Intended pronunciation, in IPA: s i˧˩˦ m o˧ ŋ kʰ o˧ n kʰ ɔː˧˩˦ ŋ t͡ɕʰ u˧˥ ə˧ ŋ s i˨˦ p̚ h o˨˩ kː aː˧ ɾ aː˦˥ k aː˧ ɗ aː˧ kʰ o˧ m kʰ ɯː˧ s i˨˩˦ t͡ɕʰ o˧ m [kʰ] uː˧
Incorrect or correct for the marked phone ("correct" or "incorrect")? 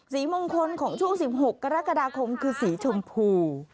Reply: incorrect